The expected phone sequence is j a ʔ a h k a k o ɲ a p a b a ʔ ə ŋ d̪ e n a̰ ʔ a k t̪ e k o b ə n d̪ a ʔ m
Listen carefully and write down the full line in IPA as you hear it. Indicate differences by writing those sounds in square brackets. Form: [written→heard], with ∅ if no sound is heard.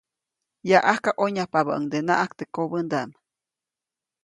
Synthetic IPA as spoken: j a ʔ a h k a [k→ʔ] o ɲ a p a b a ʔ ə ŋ d̪ e n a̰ ʔ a k t̪ e k o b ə n d̪ a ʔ m